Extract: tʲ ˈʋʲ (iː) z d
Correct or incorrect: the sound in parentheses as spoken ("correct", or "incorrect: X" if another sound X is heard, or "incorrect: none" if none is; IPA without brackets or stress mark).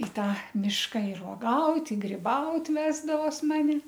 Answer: incorrect: æː